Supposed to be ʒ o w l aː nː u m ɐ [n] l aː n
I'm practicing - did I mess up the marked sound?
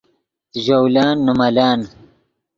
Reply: yes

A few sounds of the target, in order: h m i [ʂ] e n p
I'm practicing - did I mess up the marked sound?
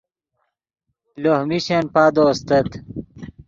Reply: yes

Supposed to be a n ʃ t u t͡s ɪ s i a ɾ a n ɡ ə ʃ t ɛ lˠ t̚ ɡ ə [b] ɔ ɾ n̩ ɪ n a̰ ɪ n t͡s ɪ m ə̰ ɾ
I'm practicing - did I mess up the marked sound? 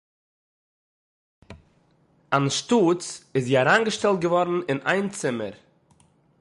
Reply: yes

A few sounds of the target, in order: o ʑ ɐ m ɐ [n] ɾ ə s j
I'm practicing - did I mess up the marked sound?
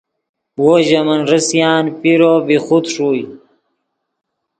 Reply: no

